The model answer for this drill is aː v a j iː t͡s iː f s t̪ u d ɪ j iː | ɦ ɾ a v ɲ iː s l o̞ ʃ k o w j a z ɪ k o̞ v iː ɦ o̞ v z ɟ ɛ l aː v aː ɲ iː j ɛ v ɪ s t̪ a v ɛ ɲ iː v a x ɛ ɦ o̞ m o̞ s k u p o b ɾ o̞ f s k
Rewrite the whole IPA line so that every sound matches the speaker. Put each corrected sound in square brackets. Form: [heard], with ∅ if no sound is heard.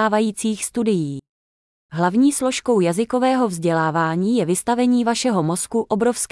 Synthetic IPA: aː v a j iː t͡s iː [x] s t̪ u d ɪ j iː | ɦ [l] a v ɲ iː s l o̞ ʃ k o w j a z ɪ k o̞ v [ɛː] ɦ o̞ v z ɟ ɛ l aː v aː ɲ iː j ɛ v ɪ s t̪ a v ɛ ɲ iː v a [ʃ] ɛ ɦ o̞ m o̞ s k u [ʔ] o b ɾ o̞ f s k